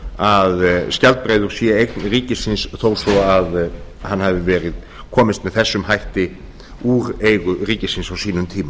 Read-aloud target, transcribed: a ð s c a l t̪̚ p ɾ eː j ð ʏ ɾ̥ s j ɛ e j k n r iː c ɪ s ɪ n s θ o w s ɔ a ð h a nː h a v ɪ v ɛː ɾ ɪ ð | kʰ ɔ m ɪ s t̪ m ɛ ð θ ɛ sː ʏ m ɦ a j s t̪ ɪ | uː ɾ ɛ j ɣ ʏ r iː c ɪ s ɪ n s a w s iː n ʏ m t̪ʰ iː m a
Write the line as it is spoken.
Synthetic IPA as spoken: a ð s c a l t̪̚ p ɾ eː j ð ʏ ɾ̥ s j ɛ e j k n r iː c ɪ s ɪ n s θ o w s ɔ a ð h a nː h a v ɪ v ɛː ɾ ɪ ð | kʰ ɔː m ɪ s t̪ m ɛ ð θ ɛ sː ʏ m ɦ a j h t̪ ɪ | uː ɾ e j ɣ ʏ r iː c ɪ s ɪ n s a w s iː n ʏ m t̪ʰ iː m a